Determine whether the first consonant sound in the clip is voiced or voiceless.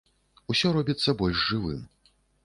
voiceless